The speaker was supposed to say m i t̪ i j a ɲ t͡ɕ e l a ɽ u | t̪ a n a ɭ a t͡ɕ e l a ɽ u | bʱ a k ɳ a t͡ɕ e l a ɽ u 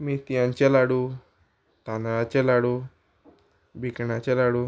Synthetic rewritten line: m i t̪ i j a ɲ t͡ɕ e l a ɽ u | t̪ a n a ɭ a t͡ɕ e l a ɽ u | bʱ i k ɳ a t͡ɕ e l a ɽ u